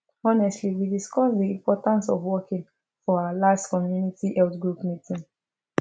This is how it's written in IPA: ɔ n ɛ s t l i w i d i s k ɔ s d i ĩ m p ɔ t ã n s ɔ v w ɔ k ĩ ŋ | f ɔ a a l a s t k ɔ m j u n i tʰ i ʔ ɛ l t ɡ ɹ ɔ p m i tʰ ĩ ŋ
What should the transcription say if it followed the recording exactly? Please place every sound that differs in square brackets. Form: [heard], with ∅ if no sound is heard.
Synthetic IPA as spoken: ɔ n ɛ s t l i w i d i s k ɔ s d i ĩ m p ɔ t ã n s ɔ v w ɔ k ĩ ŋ | f ɔ a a l a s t k ɔ m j u n i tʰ i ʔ ɛ l t ɡ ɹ [u] p m i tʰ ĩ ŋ